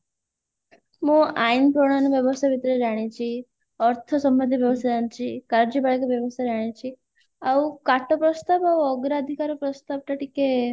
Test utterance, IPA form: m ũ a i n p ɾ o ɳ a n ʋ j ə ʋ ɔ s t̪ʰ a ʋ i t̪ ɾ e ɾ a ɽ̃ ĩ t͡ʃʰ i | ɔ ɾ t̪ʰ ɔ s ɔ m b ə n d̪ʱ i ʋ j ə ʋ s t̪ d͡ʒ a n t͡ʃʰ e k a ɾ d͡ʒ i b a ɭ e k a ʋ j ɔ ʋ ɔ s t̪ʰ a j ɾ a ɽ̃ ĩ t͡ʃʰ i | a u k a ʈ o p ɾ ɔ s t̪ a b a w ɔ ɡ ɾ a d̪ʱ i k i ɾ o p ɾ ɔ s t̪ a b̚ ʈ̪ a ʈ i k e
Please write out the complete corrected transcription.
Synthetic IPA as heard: m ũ a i n p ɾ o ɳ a n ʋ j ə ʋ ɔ s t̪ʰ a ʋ i t̪ ɾ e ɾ a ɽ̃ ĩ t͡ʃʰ i | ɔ ɾ t̪ʰ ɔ s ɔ m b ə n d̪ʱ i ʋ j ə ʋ s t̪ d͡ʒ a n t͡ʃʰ i k a ɾ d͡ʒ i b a ɭ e k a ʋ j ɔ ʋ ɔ s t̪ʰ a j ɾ a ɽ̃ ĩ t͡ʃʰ i | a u k a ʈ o p ɾ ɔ s t̪ a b a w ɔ ɡ ɾ a d̪ʱ i k a ɾ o p ɾ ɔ s t̪ a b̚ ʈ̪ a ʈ i k e